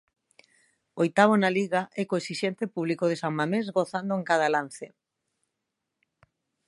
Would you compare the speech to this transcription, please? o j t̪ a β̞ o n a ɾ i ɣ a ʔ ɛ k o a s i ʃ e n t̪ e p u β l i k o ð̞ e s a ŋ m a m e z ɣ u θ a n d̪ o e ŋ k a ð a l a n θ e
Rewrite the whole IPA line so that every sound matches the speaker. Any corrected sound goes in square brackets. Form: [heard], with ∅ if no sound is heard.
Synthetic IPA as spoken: o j t̪ a β̞ o n a [l] i ɣ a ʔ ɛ k o [e] s i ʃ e n t̪ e p u β l i k o ð̞ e s a ŋ m a m e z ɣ [o] θ a n d̪ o e ŋ k a ð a l a n θ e